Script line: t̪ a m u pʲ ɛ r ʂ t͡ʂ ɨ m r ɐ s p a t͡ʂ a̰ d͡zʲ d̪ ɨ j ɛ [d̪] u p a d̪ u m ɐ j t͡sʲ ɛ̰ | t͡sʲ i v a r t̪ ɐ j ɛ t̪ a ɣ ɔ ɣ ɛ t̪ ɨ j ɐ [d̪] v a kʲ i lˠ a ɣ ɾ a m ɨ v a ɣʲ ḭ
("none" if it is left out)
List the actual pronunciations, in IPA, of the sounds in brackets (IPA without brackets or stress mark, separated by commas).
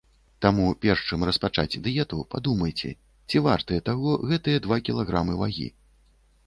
t̪, d̪